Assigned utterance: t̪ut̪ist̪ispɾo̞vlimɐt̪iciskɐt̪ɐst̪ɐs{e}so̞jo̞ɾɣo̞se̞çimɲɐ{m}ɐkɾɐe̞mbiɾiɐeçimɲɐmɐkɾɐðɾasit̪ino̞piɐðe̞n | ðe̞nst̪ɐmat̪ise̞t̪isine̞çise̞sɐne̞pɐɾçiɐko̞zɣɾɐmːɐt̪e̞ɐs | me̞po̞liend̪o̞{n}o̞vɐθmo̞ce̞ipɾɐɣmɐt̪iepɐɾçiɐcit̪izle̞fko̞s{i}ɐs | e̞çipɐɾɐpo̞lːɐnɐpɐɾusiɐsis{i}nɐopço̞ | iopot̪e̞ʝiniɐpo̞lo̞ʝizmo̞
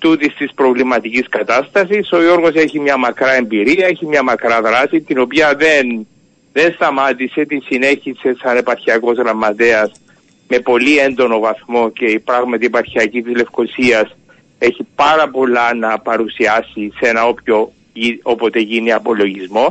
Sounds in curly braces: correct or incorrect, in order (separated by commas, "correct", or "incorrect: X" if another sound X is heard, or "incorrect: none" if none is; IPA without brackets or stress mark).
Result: incorrect: i, correct, correct, correct, incorrect: e